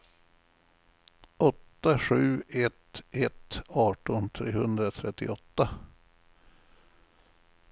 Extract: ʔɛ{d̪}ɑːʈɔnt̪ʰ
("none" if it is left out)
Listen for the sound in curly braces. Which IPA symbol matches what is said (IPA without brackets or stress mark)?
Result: t̪